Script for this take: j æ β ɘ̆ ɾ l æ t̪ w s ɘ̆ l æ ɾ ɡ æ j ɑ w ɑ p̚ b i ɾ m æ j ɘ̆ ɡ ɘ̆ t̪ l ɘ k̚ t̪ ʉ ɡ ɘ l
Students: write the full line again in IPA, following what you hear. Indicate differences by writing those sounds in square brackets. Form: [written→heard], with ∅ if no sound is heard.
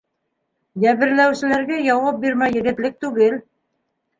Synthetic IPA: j æ β ɘ̆ ɾ l æ [t̪→∅] w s ɘ̆ l æ ɾ ɡ æ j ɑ w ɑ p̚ b i ɾ m æ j ɘ̆ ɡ ɘ̆ t̪ l ɘ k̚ t̪ ʉ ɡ ɘ l